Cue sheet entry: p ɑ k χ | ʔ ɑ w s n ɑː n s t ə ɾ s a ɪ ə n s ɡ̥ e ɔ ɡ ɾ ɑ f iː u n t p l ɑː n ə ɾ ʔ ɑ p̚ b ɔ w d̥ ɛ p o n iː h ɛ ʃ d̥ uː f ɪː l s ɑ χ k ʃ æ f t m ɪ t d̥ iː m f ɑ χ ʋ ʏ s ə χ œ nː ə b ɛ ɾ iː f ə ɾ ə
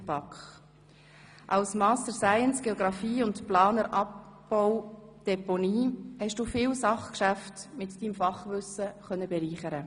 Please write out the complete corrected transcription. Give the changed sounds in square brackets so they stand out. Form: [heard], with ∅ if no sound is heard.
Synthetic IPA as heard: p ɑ k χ | ʔ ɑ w s [m] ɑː [∅] s t ə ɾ s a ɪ ə n s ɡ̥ e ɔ ɡ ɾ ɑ f iː [ʊ] n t p l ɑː n ə ɾ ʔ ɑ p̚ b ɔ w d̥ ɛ p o n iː h ɛ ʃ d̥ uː f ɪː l s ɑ χ k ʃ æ f t m ɪ t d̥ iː m f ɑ χ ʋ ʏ s ə χ œ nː ə b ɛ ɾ iː [χ] ə ɾ ə

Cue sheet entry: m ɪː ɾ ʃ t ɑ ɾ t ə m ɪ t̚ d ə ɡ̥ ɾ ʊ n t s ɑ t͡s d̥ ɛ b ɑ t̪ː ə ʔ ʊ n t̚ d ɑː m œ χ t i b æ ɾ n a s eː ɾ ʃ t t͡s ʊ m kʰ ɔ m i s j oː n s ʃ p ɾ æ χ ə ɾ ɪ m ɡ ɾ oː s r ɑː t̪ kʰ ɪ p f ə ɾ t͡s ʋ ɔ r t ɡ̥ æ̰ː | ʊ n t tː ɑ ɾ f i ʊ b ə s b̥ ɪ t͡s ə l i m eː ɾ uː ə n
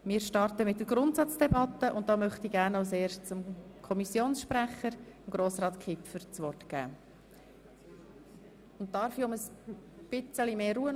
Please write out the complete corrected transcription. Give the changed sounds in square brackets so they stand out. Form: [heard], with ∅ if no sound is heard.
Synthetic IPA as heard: m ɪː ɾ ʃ t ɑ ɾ t ə m ɪ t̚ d ə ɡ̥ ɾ ʊ n t s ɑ t͡s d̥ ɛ b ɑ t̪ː ə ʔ ʊ n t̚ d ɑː m œ χ t i [ɡ] æ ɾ n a s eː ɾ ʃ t t͡s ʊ m kʰ ɔ m i s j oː n s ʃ p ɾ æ χ ə ɾ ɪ m ɡ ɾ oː s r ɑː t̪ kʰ ɪ p f ə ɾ t͡s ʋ ɔ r t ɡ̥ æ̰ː | ʊ n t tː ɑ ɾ f i ʊ [m] ə s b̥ ɪ t͡s ə l i m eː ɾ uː ə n

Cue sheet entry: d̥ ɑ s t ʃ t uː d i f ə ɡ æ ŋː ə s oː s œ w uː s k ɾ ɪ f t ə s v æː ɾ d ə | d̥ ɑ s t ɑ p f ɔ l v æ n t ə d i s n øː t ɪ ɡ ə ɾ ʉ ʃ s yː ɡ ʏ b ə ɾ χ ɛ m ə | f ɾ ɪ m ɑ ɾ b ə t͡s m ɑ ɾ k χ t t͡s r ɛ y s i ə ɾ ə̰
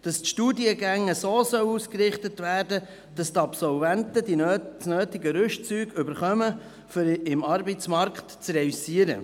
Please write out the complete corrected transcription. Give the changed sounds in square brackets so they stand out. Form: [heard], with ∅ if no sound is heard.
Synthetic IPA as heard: d̥ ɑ s t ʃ t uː d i [∅] ə ɡ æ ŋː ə s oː s œ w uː s k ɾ ɪ [χ] t ə [t] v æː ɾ d ə | d̥ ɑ s t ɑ p [s] ɔ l v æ n t ə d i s n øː t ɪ ɡ ə ɾ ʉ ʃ [t͡s] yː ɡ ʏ b ə ɾ χ [œ] m ə | f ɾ ɪ m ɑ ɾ b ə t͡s m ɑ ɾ k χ t t͡s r ɛ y s i ə ɾ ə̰

